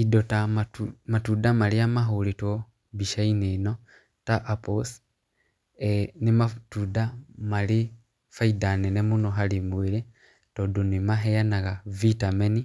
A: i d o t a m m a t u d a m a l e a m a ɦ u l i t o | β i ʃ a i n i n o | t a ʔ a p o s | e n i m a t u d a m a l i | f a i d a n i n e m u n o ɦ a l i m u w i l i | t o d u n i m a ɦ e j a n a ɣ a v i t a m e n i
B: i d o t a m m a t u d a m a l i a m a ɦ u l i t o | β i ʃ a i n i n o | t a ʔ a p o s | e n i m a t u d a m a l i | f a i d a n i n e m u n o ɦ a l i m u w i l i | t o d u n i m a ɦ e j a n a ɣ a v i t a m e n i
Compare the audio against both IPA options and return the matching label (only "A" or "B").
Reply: B